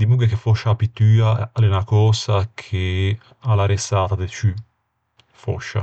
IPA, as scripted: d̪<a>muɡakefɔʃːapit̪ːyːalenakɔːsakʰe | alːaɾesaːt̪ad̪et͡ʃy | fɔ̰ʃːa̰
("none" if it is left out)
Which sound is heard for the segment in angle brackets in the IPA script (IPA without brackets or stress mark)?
i